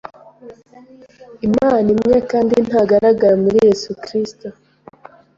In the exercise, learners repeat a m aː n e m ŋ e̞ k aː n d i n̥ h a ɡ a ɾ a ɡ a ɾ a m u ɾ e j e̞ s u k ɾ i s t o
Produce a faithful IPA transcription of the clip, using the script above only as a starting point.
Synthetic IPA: i m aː n i m ŋ e̞ k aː n d i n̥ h a ɡ a ɾ a ɡ a ɾ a m u ɾ i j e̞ s u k ɾ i s t o